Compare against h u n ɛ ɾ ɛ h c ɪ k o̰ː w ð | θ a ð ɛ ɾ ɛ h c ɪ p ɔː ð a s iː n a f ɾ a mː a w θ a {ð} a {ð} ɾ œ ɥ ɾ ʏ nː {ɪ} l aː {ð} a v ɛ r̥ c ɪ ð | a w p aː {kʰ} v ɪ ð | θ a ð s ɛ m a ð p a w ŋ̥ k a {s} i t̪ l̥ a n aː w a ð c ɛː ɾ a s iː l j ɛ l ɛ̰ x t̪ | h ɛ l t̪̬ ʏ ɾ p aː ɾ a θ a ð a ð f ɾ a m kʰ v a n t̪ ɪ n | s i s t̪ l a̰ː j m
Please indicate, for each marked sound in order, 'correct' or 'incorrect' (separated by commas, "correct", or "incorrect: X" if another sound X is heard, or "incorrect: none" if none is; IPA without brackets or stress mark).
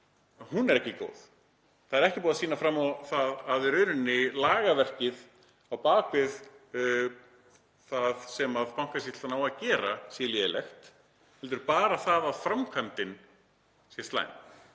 correct, correct, correct, incorrect: ɣ, incorrect: k, correct